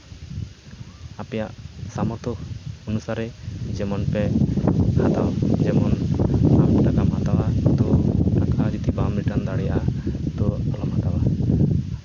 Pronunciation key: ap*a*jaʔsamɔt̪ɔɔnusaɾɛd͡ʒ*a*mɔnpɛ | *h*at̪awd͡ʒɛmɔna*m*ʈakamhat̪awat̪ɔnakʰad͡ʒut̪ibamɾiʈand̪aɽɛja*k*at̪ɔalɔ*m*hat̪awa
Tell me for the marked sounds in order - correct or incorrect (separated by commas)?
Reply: incorrect, incorrect, correct, correct, incorrect, correct